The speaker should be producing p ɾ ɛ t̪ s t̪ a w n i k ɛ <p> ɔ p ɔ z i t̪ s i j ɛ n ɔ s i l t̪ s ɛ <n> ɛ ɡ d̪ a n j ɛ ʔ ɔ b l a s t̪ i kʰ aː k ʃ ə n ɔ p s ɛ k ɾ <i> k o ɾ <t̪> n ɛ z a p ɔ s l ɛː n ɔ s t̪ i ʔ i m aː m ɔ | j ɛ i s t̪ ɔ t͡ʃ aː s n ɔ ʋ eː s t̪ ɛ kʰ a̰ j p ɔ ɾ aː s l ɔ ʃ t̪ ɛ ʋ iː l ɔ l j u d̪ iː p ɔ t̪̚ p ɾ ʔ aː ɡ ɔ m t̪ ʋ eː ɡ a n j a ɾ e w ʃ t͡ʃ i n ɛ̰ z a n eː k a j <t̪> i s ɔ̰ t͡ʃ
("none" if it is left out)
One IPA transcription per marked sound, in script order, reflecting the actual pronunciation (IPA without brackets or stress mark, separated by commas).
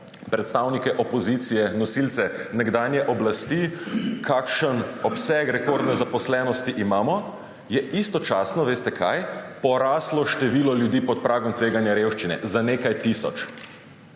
ʔ, n, ɛ, d̪, t̪